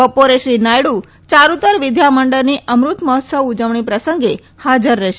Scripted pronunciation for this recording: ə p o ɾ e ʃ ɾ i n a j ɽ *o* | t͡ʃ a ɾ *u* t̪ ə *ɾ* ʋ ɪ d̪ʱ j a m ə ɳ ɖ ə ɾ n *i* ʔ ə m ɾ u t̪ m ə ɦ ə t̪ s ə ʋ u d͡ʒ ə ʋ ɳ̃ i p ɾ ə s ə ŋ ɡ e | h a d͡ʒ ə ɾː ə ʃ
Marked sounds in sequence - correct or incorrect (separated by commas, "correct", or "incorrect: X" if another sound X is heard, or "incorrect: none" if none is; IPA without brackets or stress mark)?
incorrect: u, correct, correct, correct